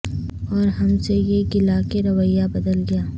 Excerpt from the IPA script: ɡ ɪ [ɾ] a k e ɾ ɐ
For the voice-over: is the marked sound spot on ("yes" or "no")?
no